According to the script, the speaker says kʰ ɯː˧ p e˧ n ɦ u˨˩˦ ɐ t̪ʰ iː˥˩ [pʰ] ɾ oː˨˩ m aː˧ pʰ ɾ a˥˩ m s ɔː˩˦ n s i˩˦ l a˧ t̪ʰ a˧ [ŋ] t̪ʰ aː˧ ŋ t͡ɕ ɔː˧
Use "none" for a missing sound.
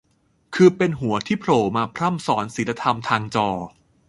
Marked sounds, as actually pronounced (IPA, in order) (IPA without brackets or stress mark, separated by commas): pʰ, m